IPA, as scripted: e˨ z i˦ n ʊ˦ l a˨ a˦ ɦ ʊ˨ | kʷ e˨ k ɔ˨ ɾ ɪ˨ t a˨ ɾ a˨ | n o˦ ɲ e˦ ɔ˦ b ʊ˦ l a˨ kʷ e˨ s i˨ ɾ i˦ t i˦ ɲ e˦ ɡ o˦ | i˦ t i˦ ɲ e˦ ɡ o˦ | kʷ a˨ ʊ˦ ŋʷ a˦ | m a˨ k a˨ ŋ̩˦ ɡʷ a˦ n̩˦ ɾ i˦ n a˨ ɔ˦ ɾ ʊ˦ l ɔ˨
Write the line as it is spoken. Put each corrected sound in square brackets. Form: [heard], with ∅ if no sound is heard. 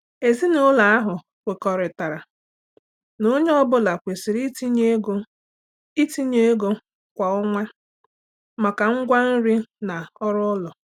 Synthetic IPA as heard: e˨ z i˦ n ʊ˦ l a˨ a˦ ɦ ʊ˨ | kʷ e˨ k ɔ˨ ɾ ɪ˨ t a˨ ɾ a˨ | n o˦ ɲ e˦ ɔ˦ b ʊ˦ l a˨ kʷ e˨ s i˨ ɾ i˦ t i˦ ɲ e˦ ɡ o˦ | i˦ t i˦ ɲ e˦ ɡ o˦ | kʷ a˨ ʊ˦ ŋʷ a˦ | m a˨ k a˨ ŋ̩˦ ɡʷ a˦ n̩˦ ɾ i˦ n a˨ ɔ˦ ɾ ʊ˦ l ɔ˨